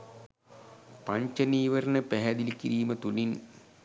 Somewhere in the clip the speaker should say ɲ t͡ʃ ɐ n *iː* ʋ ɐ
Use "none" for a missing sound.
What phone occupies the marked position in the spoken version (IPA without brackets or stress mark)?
iː